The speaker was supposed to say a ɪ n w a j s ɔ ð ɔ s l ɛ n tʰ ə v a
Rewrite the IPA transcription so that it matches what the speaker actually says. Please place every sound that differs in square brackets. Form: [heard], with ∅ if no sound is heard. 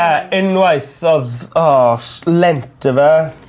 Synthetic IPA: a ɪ n w a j [θ] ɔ ð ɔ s l ɛ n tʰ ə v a